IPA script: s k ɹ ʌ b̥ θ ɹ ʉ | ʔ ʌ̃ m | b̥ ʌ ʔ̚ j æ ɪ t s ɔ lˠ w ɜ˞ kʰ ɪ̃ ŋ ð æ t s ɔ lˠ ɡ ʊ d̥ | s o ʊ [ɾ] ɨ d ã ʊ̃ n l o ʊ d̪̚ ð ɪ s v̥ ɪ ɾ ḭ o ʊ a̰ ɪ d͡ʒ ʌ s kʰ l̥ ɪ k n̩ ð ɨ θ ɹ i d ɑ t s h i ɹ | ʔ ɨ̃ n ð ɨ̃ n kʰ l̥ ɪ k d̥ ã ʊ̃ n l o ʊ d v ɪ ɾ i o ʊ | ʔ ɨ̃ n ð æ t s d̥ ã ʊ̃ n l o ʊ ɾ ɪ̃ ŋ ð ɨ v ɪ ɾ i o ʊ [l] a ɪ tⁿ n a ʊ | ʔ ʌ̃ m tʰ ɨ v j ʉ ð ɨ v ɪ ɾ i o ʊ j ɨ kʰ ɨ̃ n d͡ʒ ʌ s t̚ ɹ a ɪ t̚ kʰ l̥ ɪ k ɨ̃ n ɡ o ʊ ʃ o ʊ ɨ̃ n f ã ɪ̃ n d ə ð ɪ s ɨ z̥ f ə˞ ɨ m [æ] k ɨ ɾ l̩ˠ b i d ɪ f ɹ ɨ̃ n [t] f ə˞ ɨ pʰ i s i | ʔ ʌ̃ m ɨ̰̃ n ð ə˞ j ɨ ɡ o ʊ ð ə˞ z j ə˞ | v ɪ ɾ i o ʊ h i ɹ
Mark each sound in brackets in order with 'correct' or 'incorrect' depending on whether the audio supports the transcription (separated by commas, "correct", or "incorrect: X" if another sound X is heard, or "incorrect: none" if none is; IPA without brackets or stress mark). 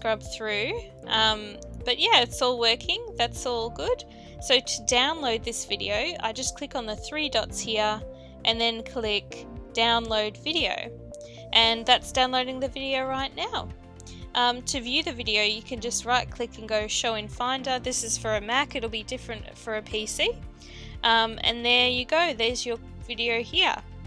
correct, incorrect: ɹ, correct, correct